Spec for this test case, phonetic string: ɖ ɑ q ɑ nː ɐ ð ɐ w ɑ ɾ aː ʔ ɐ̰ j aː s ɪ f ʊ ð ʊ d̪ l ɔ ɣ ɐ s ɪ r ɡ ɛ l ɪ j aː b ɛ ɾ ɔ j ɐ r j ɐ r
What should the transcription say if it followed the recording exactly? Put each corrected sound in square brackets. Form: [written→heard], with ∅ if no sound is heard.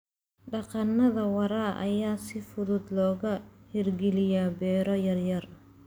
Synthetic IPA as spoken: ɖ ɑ q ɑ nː ɐ ð ɐ w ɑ ɾ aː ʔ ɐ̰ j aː s ɪ f ʊ ð ʊ d̪ l [ɔ→ɔː] ɣ ɐ [s→h] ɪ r ɡ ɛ l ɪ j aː b [ɛ→ɛː] ɾ ɔ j ɐ r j ɐ r